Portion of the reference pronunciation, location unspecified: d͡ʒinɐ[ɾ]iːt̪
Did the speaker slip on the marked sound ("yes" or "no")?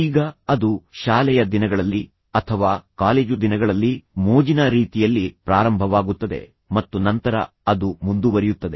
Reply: no